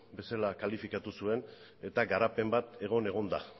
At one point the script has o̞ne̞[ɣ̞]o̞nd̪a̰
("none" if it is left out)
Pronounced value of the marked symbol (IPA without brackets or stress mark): ɣ̞